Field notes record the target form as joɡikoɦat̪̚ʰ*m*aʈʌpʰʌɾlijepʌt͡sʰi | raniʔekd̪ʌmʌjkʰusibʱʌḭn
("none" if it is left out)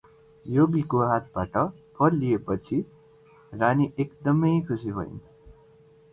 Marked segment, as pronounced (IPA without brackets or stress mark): b